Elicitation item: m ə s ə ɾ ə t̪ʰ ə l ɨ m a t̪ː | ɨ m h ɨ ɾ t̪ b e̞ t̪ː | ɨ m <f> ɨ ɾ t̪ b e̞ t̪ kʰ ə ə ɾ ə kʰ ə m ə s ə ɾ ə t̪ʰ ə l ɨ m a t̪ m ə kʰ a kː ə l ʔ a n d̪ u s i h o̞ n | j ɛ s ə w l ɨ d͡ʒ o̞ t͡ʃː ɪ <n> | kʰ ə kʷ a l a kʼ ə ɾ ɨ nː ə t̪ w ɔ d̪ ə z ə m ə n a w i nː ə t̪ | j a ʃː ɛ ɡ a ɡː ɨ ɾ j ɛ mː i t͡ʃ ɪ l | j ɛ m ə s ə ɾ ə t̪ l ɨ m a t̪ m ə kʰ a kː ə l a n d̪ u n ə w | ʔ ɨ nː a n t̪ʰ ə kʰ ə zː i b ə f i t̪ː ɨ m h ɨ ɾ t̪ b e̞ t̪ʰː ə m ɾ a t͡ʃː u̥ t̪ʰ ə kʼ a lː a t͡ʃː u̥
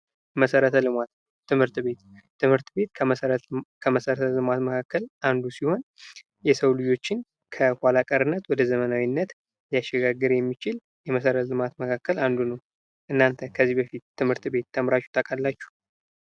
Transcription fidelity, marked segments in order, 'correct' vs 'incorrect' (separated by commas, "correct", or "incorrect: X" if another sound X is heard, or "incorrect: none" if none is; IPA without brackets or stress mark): incorrect: h, correct